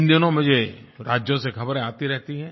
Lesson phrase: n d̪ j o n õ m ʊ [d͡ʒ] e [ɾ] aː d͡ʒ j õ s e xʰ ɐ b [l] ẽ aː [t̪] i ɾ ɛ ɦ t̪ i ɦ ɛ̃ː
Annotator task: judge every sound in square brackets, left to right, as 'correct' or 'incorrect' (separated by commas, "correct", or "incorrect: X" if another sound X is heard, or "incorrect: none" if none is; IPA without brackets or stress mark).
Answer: correct, correct, incorrect: ɾ, correct